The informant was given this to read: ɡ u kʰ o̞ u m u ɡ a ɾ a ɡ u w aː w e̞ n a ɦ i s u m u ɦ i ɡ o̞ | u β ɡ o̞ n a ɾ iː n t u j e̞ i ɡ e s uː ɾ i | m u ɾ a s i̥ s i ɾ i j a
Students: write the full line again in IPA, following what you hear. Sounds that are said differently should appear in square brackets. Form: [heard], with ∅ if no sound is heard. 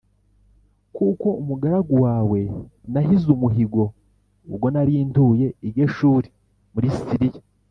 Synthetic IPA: [k] u [k] o̞ u m u ɡ a ɾ a ɡ u w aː w e̞ n a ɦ i [z] u m u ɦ i ɡ o̞ | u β ɡ o̞ n a ɾ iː n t u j e̞ i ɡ e [ʃ] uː ɾ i | m u ɾ [i] s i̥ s i ɾ i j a